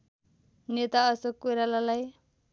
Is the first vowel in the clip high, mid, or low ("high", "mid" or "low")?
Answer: mid